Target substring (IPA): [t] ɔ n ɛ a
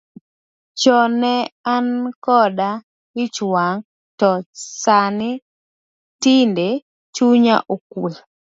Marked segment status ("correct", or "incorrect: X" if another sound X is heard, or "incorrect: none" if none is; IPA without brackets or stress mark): incorrect: t͡ʃ